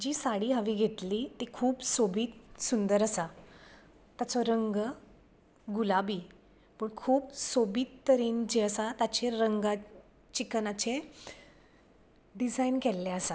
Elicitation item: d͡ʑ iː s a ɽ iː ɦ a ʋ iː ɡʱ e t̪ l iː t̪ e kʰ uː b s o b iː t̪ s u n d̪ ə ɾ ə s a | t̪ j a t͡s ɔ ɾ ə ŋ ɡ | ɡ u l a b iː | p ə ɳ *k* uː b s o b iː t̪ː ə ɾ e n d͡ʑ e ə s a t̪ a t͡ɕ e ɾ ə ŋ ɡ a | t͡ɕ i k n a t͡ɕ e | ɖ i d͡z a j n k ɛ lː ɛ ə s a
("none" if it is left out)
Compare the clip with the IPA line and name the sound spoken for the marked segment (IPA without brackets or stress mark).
kʰ